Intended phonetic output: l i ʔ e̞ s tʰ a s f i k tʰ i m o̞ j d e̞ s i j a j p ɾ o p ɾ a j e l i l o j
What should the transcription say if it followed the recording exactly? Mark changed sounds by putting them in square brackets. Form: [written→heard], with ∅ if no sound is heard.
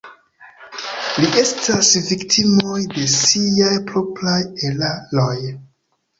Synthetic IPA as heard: l i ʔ e̞ s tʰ a s [f→v] i k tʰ i m o̞ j d e̞ s i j a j p ɾ o p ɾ a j e l [i→a] l o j